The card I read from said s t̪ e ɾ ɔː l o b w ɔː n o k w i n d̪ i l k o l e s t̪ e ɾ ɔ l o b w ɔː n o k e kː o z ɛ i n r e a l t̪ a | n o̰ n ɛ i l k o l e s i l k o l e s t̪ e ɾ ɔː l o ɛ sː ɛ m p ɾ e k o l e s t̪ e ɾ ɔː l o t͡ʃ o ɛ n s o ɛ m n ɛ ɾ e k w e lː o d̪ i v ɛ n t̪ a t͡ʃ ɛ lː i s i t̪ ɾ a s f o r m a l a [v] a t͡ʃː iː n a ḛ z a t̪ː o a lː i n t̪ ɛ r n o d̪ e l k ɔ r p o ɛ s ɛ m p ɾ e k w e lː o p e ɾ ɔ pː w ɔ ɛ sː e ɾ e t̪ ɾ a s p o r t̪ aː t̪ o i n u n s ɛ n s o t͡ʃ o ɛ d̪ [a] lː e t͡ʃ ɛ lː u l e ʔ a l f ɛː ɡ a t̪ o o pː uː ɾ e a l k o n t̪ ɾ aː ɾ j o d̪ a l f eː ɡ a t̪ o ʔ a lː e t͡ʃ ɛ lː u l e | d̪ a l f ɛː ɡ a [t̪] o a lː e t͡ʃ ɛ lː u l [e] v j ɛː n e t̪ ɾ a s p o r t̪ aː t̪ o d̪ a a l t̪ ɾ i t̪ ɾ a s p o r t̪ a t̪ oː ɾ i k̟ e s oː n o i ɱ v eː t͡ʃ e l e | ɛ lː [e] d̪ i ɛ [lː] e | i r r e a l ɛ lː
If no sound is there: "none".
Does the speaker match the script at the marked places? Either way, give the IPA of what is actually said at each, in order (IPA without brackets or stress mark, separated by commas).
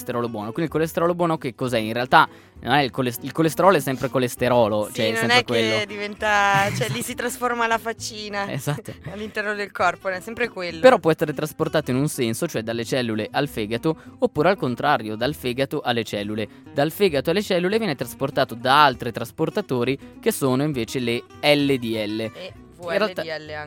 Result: f, a, t̪, e, e, lː